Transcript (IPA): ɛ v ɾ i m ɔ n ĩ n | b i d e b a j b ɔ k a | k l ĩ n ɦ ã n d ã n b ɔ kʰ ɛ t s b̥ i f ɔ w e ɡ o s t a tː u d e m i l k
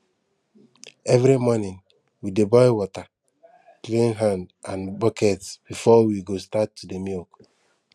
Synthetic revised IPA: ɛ v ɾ i m ɔ n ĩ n | w i d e b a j w ɔ t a | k l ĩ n ɦ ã n d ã n b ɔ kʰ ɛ t s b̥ i f ɔ w i ɡ o s t a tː u d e m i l k

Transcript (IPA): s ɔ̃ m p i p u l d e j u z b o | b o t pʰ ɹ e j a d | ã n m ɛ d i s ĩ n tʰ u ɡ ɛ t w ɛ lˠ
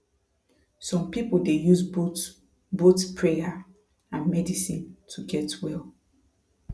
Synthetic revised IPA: s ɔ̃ m p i p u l d e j u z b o | b o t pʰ ɹ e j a | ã n m ɛ d i s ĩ n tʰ u ɡ ɛ t w ɛ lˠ

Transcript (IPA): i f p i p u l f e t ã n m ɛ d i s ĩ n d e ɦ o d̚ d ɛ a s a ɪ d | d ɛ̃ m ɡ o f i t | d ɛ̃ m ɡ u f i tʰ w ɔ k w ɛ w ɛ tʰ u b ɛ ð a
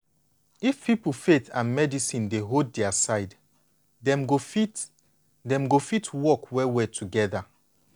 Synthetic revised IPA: i f p i p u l f e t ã n m ɛ d i s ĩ n d e ɦ o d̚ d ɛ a s a ɪ d | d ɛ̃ m ɡ o f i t | d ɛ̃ m ɡ o f i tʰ w ɔ k w ɛ w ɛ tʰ u ɡ ɛ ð a

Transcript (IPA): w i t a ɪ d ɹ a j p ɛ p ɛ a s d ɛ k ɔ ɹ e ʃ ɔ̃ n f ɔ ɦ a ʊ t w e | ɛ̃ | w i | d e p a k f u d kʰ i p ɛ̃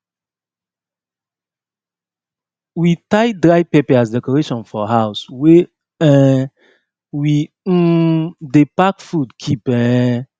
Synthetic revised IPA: w i t a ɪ d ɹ a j p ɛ p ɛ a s d ɛ k ɔ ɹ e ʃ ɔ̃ n f ɔ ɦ a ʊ s w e | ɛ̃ | w i | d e p a k f u d kʰ i p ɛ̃

